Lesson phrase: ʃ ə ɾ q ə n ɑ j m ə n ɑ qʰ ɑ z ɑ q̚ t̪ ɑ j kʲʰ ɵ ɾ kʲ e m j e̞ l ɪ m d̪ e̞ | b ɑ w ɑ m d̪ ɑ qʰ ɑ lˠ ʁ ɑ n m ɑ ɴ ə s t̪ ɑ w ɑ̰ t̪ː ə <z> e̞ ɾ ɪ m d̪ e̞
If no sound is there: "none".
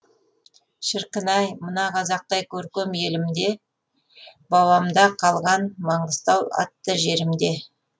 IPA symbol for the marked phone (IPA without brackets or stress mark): ʒ